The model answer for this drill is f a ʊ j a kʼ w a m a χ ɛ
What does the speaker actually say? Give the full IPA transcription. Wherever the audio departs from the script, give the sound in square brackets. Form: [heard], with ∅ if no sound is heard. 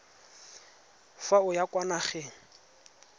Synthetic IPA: f a ʊ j a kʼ w a [n] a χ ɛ